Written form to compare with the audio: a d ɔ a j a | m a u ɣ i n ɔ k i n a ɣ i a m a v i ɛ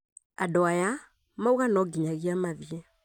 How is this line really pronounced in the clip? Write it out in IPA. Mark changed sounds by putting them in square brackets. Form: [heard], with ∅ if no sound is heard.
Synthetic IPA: a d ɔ a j a | m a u ɣ [a] n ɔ [ɡ] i [ɲ] a ɣ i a m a v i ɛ

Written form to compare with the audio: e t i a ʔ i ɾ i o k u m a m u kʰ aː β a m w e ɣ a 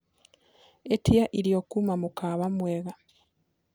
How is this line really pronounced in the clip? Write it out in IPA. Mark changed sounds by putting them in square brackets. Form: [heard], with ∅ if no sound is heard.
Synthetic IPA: e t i a ʔ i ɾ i o k u m a m u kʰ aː β a m w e ɣ a

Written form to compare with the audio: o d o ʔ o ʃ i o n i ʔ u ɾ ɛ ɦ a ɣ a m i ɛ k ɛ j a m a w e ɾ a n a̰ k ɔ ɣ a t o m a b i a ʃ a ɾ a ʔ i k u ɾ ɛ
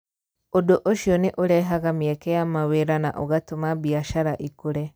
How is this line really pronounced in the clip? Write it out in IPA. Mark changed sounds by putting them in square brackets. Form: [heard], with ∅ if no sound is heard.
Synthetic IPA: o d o ʔ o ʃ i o n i ʔ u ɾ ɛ ɦ a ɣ a m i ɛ k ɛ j a m a w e ɾ a n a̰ [ʔ] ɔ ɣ a t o m a b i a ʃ a ɾ a ʔ i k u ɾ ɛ

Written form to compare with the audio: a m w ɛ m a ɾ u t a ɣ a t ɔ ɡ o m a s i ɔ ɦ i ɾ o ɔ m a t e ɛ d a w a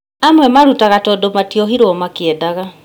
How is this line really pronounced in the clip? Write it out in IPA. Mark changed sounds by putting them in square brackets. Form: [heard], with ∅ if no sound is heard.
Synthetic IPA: a m w ɛ m a ɾ u t a ɣ a t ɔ [d] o m a [t] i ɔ ɦ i ɾ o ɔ m a [k] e ɛ d a [ɣ] a

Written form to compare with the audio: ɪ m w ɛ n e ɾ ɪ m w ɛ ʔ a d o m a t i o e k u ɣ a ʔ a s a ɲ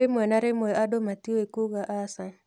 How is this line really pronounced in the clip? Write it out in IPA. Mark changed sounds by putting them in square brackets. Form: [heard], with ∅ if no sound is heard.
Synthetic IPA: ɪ m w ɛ n [a] ɾ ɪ m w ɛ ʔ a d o m a t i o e k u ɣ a ʔ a s a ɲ

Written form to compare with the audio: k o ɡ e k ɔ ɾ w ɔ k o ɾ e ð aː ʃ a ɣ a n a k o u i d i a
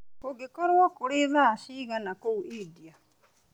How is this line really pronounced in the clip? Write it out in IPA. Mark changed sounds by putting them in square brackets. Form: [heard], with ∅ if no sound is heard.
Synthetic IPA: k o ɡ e k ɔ ɾ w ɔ k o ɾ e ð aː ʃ [i] ɣ a n a k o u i d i a

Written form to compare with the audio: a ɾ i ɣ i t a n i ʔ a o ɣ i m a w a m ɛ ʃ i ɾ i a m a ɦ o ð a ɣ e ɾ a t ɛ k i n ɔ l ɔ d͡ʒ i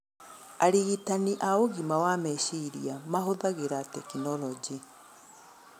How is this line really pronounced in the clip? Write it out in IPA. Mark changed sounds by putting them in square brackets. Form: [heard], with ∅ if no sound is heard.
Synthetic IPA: a ɾ i ɣ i t a n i ʔ a o ɣ i m a w a m ɛ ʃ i ɾ i a m a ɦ o ð a ɣ e ɾ a t ɛ k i n ɔ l ɔ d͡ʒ i

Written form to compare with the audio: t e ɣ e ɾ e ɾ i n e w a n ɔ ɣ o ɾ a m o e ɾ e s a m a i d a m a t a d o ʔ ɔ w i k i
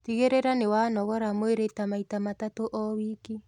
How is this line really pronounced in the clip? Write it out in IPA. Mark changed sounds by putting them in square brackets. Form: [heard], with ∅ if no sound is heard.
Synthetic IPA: t [i] ɣ e ɾ e ɾ [a] n e w a n ɔ ɣ [ɔ] ɾ a m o e ɾ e [t] a m a i [t] a m a t a [t] o ʔ ɔ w i k i

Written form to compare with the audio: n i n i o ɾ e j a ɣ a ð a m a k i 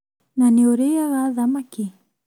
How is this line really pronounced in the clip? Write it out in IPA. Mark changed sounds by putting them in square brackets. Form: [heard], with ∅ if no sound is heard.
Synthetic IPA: n [a] n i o ɾ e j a ɣ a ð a m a k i

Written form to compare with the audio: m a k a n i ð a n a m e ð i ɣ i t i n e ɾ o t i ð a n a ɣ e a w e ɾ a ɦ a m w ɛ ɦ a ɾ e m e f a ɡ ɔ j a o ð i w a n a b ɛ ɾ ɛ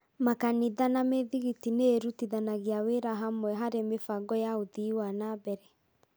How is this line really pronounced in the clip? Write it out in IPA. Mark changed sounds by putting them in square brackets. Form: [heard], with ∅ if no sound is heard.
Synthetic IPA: m a k a n i ð a n a m e ð i ɣ i t i n e ɾ [u] t i ð a n a ɣ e a w e ɾ a ɦ a m w ɛ ɦ a ɾ e m e f a ɡ ɔ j a o ð i w a n a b ɛ ɾ ɛ

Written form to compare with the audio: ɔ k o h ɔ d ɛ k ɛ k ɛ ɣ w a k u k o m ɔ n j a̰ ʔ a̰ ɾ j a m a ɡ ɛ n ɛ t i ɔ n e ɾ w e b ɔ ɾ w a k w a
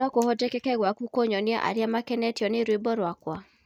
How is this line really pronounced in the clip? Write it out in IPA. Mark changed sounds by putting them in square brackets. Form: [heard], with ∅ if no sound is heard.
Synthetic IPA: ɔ k o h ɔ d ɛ k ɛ k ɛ ɣ w a k u k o [ɲ] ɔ n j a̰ ʔ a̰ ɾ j a m a [k] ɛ n ɛ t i ɔ n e ɾ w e b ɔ ɾ w a k w a

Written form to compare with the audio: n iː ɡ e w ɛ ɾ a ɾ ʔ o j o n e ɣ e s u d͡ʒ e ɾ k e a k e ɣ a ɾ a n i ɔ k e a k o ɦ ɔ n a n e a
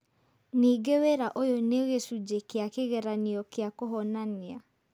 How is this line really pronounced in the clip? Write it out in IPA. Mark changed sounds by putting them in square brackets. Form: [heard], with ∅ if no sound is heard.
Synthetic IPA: n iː ɡ e w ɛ ɾ a [∅] ʔ o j o n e ɣ e s u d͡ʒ e [∅] k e a k e ɣ [ɛ] ɾ a n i ɔ k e a k o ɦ ɔ n a n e a

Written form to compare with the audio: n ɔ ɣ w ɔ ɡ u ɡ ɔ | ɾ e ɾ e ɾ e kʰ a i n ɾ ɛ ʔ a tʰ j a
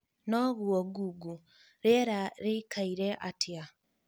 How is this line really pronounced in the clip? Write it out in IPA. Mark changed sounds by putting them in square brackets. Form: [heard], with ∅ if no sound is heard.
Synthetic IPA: n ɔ ɣ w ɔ ɡ u ɡ [u] | ɾ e ɾ [a] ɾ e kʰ a i [∅] ɾ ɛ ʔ a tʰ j a

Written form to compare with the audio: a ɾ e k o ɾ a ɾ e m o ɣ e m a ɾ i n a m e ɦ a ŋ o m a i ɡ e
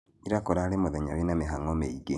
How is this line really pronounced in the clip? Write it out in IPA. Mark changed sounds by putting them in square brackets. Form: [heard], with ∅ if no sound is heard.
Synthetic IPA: [i] ɾ [a] k o ɾ a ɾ e m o [ð] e [ɲ] a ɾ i n a m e ɦ a ŋ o m [e] i ɡ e

